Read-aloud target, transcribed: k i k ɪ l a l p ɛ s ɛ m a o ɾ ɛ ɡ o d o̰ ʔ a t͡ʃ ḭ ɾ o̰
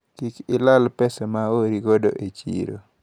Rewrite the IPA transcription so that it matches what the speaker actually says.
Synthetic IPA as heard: k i k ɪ l a l p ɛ s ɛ m a o ɾ i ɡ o d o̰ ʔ e t͡ʃ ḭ ɾ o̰